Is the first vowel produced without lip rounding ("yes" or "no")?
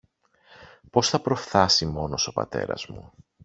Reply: no